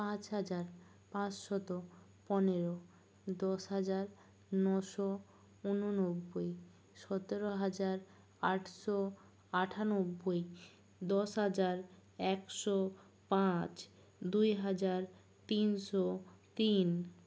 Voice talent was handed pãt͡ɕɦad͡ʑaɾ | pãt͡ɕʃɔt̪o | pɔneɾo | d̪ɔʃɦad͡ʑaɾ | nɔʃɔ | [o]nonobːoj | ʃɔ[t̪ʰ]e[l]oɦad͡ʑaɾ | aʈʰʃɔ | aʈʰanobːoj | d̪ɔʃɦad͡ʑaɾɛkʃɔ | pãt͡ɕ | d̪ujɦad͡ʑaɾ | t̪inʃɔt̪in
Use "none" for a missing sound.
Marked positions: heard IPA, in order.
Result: u, t̪, ɾ

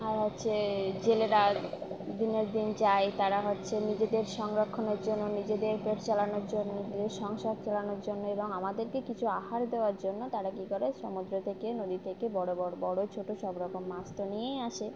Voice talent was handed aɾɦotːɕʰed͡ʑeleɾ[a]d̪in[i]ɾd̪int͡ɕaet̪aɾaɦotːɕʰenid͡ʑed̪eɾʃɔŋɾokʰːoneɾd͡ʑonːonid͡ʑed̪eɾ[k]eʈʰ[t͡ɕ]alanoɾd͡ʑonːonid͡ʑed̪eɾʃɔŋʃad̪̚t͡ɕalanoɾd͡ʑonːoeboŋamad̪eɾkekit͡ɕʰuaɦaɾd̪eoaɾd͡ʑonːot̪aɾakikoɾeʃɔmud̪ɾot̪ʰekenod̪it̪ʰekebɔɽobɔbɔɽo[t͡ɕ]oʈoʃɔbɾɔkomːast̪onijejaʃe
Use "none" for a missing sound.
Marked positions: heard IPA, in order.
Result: a, e, p, t͡ɕ, t͡ɕʰ

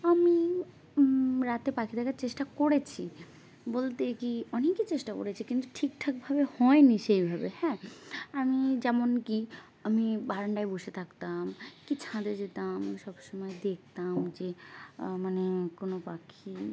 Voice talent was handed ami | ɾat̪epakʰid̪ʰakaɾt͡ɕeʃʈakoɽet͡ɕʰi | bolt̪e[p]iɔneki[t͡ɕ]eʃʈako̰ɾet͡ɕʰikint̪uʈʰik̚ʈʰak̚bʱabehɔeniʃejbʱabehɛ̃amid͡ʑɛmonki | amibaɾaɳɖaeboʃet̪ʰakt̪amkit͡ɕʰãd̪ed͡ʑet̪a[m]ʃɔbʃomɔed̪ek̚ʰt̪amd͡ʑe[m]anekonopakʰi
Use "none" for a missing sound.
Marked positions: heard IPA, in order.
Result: k, t͡ɕ, m, m

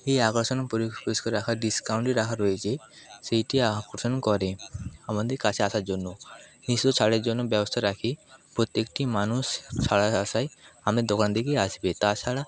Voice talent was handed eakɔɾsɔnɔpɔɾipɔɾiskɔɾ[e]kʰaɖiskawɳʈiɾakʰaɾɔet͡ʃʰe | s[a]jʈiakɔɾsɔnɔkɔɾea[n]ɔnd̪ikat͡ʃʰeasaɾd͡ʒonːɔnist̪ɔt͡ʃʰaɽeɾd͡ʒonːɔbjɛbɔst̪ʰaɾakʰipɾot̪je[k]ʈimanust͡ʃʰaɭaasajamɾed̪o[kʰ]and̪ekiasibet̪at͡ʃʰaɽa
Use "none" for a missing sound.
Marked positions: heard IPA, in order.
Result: a, e, m, k, k

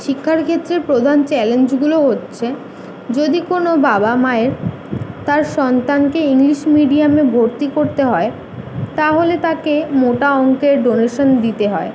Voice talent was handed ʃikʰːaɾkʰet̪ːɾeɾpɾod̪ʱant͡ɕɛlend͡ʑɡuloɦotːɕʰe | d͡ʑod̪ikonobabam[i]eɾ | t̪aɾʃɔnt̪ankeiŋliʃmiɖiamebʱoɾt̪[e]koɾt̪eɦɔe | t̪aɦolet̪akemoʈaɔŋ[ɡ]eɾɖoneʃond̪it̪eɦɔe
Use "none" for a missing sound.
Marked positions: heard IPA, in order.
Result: a, i, k

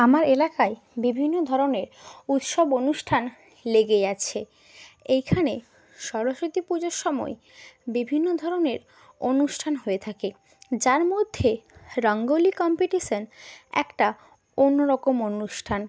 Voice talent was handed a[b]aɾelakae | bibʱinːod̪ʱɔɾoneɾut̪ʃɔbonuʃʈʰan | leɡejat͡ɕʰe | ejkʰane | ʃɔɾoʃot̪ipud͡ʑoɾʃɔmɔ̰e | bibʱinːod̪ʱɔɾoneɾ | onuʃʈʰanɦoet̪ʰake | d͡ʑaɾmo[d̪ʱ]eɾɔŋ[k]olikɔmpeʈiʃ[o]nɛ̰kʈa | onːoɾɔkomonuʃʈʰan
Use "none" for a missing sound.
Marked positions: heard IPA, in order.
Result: m, d̪ʱː, ɡ, o

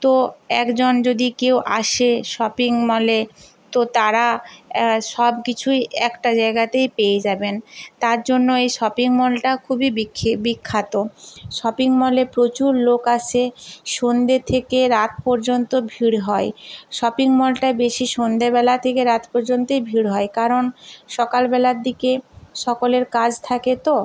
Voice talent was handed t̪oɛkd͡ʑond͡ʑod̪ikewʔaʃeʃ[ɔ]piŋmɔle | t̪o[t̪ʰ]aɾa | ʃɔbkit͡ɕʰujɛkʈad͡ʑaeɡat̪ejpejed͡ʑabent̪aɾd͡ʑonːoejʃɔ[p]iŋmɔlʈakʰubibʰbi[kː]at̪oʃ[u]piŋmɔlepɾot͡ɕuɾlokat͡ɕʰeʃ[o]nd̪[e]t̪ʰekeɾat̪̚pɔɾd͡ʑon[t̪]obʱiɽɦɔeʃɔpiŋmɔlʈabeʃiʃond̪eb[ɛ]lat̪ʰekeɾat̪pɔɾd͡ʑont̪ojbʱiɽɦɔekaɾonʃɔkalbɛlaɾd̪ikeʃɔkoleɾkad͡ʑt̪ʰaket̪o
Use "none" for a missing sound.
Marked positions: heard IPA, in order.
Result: ɔ, t̪, p, kʰː, ɔ, o, e, t̪, ɛ

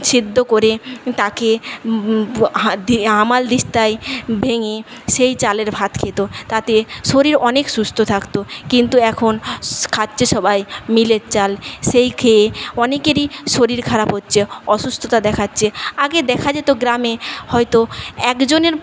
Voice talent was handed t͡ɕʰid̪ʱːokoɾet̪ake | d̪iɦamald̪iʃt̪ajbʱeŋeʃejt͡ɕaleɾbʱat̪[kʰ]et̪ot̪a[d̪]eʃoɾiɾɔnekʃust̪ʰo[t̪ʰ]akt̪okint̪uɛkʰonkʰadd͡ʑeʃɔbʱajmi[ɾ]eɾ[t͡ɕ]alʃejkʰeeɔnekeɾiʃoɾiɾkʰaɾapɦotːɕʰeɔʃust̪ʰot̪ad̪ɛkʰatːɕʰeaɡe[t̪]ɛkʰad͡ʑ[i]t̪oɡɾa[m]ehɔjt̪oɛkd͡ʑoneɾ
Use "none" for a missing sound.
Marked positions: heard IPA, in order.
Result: kʰ, t̪, t̪ʰ, l, t͡ɕ, d̪, e, m

